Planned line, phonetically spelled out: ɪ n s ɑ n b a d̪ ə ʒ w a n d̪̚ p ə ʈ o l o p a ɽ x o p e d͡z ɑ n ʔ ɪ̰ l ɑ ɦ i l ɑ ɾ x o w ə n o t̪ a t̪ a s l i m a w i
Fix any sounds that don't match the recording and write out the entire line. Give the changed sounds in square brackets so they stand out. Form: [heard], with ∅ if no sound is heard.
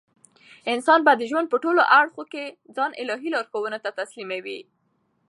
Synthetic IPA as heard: ɪ n s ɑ n b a d̪ ə ʒ w a n d̪̚ p ə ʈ o l o [ʔ] a ɽ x o [k] e d͡z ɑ n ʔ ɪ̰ l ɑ ɦ i l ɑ ɾ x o w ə n o t̪ a t̪ a s l i m a w i